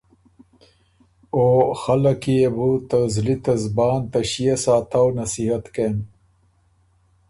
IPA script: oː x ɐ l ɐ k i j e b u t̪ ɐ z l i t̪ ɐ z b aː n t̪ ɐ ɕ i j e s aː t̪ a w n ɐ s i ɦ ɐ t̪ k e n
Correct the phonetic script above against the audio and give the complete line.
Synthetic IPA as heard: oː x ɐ l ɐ k i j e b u t̪ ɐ z l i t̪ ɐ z b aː n t̪ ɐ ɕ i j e s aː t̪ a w n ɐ s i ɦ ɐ t̪ k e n